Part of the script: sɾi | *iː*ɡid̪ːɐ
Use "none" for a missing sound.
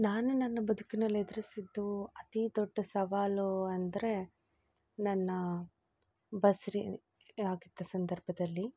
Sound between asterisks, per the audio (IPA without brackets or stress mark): aː